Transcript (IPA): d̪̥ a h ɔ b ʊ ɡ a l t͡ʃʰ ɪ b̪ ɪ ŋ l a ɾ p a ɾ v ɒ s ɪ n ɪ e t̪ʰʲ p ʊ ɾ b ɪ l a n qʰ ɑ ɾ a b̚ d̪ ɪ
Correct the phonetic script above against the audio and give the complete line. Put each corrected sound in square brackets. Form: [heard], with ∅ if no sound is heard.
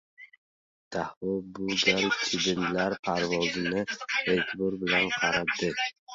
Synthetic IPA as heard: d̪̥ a h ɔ b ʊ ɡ a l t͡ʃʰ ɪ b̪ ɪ [n] l a ɾ [pʰ] a ɾ v ɒ [z] ɪ n ɪ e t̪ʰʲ [b] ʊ ɾ b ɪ l a n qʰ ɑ ɾ a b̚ d̪ ɪ